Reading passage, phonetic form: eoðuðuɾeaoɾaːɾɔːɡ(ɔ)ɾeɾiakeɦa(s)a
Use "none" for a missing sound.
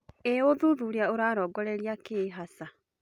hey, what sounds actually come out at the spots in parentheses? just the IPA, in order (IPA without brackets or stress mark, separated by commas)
ɔ, s